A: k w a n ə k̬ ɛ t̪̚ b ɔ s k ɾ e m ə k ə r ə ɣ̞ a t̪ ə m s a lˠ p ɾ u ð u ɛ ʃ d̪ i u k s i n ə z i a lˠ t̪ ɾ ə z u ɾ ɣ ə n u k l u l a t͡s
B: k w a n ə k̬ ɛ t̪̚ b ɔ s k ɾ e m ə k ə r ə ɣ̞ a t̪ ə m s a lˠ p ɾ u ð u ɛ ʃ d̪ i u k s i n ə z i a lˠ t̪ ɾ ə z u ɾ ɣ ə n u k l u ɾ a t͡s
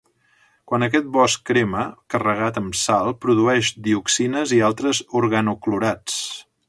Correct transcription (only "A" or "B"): B